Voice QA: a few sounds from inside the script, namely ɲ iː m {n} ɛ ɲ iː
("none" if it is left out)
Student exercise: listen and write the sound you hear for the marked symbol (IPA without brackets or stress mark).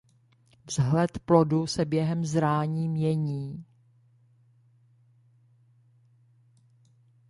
ɲ